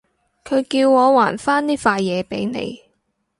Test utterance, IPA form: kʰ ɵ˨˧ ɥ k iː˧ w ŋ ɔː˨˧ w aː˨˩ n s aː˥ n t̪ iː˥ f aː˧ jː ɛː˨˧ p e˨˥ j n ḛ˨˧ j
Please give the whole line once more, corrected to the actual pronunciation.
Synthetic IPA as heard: kʰ ɵ˨˧ ɥ k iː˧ w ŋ ɔː˨˧ w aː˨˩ n f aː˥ n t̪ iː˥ f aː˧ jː ɛː˨˧ p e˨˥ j n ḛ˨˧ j